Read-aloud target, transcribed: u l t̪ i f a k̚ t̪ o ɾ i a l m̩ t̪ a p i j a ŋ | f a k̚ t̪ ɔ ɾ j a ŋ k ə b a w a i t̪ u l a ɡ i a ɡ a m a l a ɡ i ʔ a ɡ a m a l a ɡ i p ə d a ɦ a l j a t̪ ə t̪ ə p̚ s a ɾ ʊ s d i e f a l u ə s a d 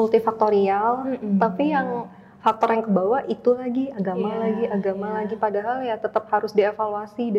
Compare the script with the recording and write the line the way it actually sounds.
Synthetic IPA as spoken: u l t̪ i f a k̚ t̪ o ɾ i a l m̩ t̪ a p i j a ŋ | f a k̚ t̪ ɔ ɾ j a ŋ k ə b a w a i t̪ u l a ɡ i a ɡ a m a l a ɡ i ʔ a ɡ a m a l a ɡ i p a d a ɦ a l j a t̪ ə t̪ ə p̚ h a ɾ ʊ s d i e f a l u a s i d